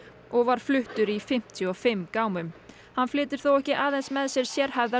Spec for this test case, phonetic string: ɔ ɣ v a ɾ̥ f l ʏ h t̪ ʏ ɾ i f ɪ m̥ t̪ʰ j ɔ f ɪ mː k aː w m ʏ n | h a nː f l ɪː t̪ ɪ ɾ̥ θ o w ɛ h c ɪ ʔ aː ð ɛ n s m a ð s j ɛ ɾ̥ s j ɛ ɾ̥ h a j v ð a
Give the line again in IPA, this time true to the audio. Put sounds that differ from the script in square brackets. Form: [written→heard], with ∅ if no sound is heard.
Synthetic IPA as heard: ɔ ɣ v a ɾ̥ f l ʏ h t̪ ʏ ɾ i f ɪ m̥ t̪ʰ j ɔ f ɪ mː k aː w m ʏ [n→m] | h a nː f l ɪː t̪ ɪ ɾ̥ θ o w ɛ h c ɪ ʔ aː ð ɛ n s m [a→ɛ] ð s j ɛ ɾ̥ s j ɛ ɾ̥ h a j v ð a